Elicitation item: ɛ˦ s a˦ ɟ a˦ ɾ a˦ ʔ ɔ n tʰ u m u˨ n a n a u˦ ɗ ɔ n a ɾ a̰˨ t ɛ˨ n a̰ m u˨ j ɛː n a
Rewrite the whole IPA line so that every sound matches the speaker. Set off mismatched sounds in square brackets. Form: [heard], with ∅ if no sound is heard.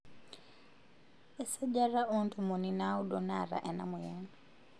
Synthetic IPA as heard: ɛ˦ s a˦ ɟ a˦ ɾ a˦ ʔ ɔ n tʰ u m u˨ n [i] n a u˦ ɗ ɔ n a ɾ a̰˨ [ʔ] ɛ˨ n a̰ m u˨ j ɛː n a

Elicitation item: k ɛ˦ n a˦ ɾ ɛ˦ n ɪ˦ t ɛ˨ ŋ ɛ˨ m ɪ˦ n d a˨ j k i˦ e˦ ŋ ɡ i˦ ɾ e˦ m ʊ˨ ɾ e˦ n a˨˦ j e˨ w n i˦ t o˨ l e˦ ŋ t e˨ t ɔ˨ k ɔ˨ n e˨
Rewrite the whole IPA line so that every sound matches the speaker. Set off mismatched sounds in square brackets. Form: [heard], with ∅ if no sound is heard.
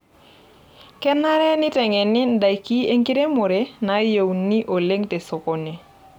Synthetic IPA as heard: k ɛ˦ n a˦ ɾ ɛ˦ n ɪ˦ t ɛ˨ ŋ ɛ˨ [n] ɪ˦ n d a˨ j k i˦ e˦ ŋ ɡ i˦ ɾ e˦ m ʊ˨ ɾ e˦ n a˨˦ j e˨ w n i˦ [ʔ] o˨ l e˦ ŋ t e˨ [s] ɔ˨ k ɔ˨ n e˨

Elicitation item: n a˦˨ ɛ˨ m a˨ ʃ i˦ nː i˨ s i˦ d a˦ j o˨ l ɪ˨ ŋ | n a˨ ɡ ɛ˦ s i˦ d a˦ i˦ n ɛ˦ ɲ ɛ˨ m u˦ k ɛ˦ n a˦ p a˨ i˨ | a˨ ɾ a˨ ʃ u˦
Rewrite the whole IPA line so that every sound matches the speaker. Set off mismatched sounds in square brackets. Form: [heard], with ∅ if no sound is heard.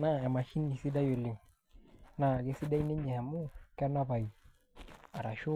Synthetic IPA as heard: n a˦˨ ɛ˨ m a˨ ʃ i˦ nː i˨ s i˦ d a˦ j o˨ l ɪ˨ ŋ | n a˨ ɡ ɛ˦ s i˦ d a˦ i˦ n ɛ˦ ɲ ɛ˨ m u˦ k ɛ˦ n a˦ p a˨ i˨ | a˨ ɾ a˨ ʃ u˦

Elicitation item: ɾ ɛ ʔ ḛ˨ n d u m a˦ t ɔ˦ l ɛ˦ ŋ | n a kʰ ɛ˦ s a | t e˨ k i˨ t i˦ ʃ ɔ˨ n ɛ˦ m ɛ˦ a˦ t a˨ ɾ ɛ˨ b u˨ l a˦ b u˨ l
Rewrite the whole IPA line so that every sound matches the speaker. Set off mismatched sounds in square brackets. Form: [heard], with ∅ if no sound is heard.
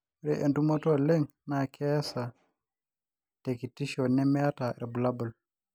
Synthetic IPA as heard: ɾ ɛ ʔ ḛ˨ n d u m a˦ t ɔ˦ l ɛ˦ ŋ | n a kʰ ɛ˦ s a | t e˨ k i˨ t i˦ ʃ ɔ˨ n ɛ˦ m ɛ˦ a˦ t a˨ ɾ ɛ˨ b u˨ l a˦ b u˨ l

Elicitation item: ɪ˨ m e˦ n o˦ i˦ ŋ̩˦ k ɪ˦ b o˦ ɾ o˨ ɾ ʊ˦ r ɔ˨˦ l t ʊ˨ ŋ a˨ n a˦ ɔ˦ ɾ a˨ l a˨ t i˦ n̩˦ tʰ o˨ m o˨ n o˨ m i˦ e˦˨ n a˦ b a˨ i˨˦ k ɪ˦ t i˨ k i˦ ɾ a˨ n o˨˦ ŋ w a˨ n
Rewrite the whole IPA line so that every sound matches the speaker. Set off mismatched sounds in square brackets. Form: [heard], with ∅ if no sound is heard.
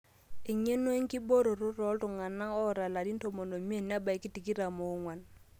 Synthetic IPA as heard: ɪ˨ [ɲ] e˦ n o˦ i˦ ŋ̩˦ k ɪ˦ b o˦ ɾ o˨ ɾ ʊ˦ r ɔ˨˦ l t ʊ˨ ŋ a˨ n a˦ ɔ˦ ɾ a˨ l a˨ [d] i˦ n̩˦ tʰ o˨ m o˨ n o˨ m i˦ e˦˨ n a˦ b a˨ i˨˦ k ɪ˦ t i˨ k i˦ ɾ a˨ [m] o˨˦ ŋ w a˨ n

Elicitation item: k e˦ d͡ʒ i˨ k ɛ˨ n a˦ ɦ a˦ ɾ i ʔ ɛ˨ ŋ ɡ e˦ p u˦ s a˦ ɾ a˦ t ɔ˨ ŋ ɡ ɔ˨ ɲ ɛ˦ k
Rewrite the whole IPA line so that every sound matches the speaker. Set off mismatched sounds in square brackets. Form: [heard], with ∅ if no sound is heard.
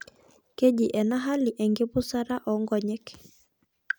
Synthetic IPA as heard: k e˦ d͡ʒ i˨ [ʔ] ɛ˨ n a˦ ɦ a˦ [l] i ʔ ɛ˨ ŋ ɡ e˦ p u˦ s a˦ ɾ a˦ [ʔ] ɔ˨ ŋ ɡ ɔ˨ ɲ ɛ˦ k

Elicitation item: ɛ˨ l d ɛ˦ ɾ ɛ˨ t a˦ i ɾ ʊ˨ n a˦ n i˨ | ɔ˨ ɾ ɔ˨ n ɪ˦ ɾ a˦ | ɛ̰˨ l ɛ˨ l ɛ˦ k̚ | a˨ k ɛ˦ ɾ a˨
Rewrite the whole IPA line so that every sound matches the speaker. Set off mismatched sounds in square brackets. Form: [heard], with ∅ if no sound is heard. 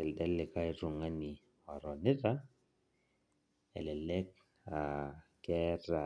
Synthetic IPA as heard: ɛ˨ l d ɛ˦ [l] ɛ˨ [k] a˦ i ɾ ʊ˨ [ŋ] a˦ n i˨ | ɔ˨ ɾ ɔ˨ n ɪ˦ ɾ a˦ | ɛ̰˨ l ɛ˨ l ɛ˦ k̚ | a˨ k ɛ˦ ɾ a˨

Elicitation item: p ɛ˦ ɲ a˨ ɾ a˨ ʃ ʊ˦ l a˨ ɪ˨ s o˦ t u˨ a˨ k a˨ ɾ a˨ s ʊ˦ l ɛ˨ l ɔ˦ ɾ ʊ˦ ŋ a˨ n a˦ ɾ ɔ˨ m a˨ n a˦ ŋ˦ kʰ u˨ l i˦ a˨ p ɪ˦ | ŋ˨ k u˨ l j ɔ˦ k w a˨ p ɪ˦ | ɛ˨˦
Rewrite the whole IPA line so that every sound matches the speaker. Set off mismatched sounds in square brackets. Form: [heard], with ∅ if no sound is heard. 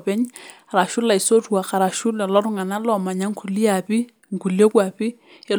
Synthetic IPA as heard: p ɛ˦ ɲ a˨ ɾ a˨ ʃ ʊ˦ l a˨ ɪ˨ s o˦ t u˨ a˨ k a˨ ɾ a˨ [ʃ] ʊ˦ l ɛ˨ l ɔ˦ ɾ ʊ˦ ŋ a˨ n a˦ [l] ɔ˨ m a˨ [ɲ] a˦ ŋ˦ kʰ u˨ l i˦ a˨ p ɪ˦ | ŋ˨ k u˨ l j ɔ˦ k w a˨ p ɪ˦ | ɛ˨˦

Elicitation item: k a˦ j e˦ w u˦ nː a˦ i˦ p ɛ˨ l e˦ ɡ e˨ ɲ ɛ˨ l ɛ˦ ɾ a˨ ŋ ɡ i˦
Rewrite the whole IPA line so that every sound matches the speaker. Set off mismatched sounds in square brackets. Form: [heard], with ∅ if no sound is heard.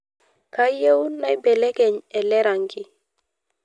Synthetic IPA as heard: k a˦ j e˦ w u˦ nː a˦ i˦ [b] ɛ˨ l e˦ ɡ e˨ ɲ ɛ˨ l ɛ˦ ɾ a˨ ŋ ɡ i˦

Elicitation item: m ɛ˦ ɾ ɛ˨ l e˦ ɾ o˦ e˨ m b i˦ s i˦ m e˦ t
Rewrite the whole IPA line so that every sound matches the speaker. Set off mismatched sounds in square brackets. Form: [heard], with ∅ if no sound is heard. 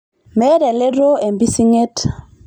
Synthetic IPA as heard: m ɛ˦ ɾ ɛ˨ l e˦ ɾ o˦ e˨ m b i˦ s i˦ [ŋ] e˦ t

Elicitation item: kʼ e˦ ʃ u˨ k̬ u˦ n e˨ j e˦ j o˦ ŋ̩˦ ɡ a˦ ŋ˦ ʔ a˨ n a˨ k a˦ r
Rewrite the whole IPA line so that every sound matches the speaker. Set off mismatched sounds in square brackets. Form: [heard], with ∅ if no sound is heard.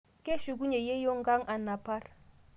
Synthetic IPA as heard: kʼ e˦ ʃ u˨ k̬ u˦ [ɲ] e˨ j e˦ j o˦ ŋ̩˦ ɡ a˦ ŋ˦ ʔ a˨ n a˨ [p] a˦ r

